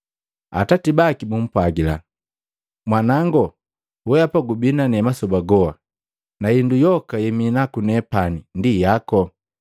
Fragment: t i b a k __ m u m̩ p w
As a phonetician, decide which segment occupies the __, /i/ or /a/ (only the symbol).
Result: i